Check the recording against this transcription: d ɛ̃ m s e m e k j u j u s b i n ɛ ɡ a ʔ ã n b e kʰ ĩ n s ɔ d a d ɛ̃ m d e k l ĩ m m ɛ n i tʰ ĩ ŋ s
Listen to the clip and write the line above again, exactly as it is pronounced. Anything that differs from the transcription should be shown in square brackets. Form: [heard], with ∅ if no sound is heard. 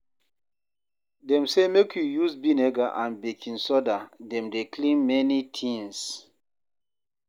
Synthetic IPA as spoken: d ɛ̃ m s e m e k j u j u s b i n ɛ ɡ a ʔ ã n b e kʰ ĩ n s ɔ d a d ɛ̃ m d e k l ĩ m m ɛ n i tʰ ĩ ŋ s